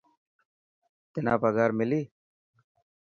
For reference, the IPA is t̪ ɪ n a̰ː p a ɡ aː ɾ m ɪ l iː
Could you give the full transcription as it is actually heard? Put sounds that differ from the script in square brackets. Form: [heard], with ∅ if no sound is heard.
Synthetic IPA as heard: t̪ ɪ n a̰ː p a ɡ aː ɾ m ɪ l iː